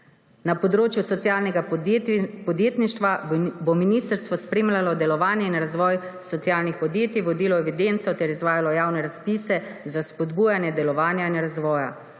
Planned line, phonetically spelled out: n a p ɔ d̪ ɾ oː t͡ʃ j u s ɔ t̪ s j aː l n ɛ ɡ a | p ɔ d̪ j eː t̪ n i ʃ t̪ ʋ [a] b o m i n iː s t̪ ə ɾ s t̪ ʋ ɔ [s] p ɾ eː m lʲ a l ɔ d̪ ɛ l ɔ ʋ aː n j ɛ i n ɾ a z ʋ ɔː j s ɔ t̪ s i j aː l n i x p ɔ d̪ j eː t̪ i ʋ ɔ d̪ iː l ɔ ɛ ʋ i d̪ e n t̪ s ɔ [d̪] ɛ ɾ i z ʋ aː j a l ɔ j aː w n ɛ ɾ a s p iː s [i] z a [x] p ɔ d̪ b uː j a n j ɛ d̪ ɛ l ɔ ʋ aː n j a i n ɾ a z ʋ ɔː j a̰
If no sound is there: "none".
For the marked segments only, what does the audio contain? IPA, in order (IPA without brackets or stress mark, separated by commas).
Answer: a, s, t̪, ɛ, s